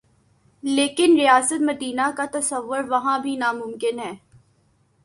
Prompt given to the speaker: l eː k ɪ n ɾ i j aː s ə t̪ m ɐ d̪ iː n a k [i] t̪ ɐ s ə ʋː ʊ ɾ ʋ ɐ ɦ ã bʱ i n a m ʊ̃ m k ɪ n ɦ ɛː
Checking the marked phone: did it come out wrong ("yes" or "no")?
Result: yes